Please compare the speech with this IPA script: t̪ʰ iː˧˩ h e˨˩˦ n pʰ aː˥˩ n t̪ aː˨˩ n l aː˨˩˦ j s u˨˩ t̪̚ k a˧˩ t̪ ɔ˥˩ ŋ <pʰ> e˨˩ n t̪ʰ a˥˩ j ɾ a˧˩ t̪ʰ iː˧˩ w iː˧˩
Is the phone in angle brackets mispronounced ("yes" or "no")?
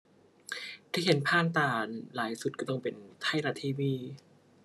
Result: yes